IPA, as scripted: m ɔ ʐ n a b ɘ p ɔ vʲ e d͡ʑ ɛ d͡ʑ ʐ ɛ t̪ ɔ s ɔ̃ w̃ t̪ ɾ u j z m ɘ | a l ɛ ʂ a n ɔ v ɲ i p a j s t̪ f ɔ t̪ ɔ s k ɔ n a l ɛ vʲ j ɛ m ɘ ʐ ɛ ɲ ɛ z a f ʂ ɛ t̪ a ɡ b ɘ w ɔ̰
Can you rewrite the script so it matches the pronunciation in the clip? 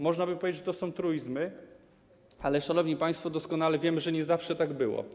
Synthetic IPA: m ɔ ʐ n a b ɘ p ɔ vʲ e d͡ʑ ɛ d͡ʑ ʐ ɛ t̪ ɔ s ɔ̃ w̃ t̪ ɾ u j z m ɘ | a l ɛ ʂ a n ɔ v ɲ i p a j s t̪ f ɔ d̪ ɔ s k ɔ n a l ɛ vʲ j ɛ m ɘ ʐ ɛ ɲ ɛ z a f ʂ ɛ t̪ a ɡ b ɘ w ɔ̰